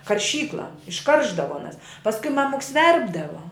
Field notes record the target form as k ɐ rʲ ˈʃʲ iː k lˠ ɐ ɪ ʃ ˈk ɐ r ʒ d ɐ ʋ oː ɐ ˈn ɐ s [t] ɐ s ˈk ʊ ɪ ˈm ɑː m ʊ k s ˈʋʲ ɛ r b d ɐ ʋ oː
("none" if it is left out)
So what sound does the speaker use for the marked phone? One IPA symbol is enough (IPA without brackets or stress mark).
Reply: p